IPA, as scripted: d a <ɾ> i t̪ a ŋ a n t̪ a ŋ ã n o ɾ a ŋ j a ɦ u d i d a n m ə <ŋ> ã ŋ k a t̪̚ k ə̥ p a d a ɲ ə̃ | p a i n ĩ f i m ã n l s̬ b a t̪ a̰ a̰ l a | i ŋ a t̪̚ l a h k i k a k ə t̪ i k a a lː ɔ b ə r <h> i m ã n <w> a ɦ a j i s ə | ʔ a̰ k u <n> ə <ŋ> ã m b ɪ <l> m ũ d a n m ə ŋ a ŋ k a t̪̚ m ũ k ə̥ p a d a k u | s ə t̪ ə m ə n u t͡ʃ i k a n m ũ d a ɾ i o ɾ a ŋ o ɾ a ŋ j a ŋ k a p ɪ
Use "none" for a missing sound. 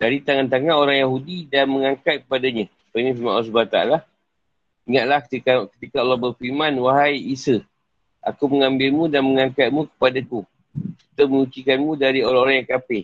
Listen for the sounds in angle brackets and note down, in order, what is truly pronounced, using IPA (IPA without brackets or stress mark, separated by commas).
ɾ, ŋ, f, w, m, ŋ, l